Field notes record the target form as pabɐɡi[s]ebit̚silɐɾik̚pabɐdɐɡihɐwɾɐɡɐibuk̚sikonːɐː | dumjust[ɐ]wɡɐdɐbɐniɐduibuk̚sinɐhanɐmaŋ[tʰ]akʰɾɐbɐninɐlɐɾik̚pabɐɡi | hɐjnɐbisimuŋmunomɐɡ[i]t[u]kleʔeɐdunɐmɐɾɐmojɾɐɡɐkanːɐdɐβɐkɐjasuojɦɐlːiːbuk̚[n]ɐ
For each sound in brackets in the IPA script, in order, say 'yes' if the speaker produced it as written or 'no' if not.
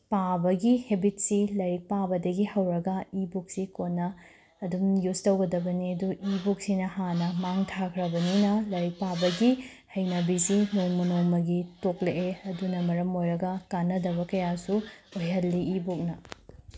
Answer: no, yes, yes, yes, no, yes

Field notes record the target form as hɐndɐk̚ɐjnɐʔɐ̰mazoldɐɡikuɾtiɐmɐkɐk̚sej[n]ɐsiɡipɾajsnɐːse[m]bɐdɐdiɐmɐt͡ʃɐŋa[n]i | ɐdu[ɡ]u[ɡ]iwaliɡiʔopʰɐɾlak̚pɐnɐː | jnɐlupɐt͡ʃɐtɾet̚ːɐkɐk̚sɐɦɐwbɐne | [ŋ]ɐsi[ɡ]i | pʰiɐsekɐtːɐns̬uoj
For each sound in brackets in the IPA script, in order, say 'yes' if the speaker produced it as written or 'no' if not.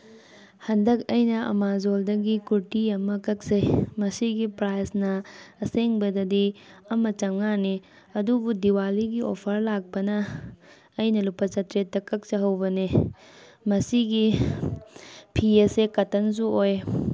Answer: no, no, yes, no, no, no, yes

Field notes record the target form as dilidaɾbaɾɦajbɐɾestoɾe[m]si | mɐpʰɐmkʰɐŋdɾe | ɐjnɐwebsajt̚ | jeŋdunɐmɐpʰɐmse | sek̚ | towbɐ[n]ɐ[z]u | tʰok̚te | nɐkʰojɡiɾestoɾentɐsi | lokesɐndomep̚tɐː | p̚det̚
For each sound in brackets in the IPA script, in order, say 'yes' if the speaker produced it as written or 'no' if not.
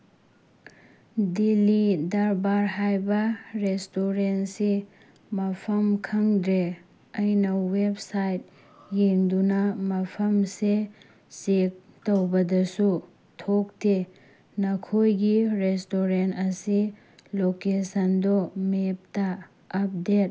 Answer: no, no, no

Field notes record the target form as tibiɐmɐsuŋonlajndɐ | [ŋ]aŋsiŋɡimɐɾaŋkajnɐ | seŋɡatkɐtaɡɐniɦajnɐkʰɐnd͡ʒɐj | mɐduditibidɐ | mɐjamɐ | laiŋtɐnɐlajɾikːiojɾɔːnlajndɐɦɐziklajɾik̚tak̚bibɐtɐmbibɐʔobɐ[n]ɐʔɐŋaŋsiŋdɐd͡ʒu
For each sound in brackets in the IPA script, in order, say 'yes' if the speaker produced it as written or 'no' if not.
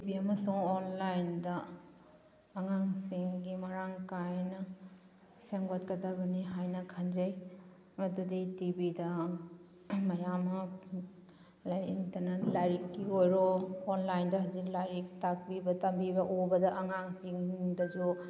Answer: yes, no

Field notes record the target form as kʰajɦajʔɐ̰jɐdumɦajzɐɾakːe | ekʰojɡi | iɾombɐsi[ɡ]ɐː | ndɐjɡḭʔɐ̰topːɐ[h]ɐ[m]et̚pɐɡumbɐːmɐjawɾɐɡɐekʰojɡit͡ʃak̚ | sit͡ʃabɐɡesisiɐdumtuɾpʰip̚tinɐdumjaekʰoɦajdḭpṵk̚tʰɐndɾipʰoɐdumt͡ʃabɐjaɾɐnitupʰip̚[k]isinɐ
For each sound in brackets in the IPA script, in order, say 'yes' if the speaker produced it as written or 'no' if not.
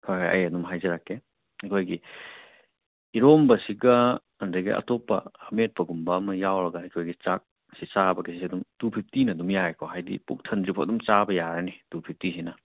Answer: yes, yes, yes, no

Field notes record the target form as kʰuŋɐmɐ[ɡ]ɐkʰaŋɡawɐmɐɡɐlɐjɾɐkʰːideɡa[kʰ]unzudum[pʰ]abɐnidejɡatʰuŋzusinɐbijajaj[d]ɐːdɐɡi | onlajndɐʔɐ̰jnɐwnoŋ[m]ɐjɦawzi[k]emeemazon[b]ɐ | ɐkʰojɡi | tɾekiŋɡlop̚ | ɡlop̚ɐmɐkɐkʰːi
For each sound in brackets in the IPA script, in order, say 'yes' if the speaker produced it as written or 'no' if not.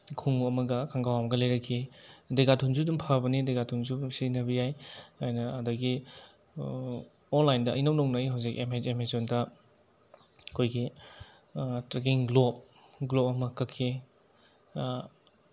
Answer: yes, no, yes, no, no, yes, no

